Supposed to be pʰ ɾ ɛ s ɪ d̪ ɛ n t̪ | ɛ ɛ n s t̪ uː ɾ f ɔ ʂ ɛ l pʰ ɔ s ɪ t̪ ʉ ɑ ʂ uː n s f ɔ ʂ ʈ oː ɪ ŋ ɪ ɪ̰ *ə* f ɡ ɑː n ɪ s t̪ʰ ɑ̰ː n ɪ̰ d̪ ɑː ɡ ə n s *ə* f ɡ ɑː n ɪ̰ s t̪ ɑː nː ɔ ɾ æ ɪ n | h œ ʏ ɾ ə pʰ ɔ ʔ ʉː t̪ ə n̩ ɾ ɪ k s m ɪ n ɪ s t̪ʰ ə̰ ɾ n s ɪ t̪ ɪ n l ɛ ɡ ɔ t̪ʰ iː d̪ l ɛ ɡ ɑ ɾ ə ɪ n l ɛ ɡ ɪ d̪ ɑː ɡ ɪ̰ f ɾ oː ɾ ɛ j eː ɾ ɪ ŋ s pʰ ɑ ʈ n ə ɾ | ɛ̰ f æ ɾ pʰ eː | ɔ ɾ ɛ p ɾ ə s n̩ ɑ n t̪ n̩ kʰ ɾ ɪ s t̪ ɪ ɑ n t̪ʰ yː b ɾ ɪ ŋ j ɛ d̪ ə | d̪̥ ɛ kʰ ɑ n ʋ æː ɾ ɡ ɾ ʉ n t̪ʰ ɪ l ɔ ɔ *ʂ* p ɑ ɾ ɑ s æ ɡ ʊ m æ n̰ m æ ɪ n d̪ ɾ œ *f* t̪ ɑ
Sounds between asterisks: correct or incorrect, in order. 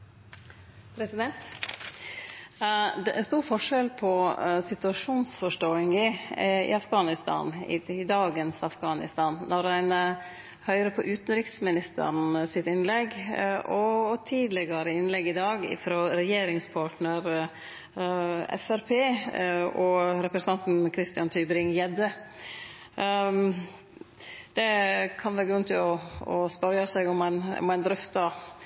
incorrect: ɑ, incorrect: ɑ, incorrect: s, correct

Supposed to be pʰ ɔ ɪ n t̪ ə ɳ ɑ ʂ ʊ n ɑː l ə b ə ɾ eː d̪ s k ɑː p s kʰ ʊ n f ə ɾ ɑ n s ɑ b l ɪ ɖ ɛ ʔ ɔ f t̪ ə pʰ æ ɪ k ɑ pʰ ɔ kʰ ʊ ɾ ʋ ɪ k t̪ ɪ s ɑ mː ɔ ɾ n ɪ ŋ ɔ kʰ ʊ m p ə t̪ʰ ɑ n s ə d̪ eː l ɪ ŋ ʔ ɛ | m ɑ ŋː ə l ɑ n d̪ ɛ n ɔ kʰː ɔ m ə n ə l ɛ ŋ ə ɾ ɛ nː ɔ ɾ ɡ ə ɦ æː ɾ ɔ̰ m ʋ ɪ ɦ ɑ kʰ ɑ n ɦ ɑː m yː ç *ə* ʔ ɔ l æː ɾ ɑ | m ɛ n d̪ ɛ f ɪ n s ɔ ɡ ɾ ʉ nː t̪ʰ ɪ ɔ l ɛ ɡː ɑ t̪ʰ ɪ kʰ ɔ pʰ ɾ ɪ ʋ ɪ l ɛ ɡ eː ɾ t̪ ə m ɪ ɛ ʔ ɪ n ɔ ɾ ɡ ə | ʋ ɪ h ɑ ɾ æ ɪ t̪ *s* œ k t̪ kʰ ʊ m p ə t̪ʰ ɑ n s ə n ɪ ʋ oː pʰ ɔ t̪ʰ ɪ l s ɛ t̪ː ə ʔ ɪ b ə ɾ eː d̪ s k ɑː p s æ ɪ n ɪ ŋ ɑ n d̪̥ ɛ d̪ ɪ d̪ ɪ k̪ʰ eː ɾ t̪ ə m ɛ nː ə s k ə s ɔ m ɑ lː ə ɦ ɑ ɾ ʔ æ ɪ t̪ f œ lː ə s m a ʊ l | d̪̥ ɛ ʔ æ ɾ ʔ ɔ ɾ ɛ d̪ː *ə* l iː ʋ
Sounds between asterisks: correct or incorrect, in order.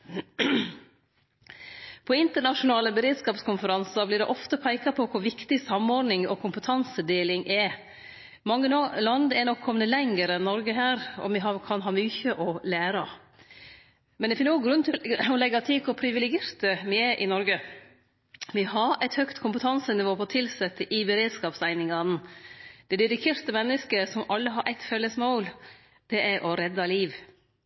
correct, incorrect: h, incorrect: ɑ

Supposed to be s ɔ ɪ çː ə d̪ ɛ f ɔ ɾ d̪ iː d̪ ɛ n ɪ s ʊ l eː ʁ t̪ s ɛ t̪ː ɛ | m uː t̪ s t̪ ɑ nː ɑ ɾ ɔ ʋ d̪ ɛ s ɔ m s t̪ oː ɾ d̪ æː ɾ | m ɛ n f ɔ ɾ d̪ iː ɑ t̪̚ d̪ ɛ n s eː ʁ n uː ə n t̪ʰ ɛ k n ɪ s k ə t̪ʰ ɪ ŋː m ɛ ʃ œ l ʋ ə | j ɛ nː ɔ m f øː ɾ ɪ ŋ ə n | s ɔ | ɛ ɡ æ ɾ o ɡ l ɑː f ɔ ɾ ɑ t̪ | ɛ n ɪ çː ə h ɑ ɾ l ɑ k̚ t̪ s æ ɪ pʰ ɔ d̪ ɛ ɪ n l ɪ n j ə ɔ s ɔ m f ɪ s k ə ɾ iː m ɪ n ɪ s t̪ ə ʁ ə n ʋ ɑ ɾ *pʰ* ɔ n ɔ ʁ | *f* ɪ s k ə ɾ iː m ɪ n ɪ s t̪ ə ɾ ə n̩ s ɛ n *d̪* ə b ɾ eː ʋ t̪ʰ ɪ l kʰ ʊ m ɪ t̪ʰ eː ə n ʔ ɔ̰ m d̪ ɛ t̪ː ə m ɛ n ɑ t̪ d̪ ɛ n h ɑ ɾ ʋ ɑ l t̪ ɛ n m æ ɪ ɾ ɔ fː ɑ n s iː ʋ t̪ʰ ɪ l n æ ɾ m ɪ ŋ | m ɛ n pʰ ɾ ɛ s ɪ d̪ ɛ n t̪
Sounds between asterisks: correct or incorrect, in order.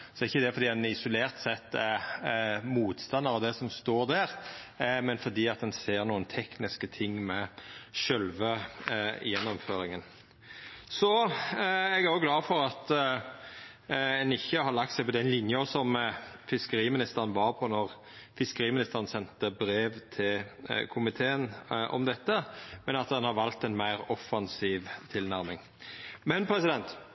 correct, correct, incorrect: t̪

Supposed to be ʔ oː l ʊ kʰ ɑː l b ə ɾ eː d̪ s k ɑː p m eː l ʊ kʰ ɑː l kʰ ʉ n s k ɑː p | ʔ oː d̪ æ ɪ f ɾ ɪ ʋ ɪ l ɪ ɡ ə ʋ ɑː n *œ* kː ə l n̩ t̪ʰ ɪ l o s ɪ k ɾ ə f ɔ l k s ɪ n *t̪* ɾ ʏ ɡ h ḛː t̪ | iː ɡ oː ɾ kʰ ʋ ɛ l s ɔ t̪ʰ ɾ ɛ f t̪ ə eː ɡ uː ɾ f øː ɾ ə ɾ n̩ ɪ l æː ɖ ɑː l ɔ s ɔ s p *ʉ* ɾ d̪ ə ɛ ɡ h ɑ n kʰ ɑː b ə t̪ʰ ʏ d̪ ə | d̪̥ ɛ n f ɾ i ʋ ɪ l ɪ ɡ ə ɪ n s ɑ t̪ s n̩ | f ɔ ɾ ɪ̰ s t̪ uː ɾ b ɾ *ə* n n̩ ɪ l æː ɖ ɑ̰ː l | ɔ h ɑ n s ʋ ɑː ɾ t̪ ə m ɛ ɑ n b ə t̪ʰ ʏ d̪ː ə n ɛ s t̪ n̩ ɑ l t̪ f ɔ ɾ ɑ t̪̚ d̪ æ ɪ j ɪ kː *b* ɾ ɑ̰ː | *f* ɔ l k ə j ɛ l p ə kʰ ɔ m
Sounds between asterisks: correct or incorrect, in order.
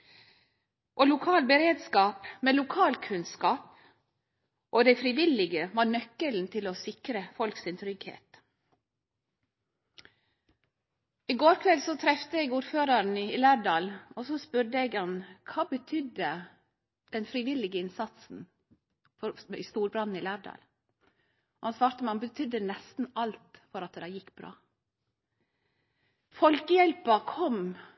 correct, incorrect: t̪ʰ, correct, incorrect: ɑ, correct, correct

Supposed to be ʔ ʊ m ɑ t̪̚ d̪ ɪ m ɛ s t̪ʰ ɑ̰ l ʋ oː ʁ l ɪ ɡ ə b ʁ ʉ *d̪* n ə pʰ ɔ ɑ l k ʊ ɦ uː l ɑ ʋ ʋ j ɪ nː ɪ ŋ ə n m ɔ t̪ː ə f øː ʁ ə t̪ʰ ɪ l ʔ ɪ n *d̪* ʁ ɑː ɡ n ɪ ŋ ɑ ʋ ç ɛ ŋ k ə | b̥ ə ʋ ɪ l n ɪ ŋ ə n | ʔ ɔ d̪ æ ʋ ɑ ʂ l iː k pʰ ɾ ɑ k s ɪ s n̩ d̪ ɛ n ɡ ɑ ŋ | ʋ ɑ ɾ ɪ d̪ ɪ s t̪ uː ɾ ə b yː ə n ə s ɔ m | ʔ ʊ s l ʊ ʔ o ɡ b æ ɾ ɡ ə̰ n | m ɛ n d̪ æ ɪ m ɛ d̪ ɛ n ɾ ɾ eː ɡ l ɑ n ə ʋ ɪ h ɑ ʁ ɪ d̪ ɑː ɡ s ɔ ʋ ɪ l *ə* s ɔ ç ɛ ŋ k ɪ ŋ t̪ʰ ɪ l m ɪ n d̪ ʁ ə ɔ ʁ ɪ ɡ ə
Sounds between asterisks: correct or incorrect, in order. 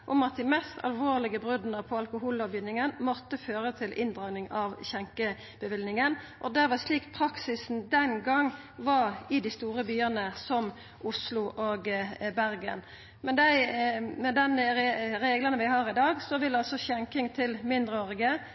correct, correct, incorrect: ɑ

